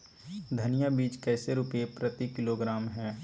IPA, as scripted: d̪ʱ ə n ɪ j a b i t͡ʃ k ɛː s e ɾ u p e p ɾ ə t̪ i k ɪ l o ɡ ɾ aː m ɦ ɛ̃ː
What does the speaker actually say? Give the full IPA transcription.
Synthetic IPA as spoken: d̪ʱ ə n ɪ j a b iː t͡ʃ k ɛː s e ɾ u p e p ɾ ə t̪ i k ɪ l o ɡ ɾ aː m ɦ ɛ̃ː